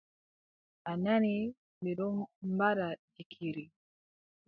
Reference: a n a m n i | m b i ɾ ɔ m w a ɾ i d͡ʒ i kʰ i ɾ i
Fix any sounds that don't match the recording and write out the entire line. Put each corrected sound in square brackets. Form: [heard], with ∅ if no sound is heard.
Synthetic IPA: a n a [∅] n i | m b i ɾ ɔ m [b] a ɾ [a] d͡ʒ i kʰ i ɾ i